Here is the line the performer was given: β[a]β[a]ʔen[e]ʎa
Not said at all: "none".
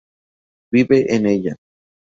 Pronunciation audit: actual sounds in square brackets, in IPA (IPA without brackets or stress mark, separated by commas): i, e, e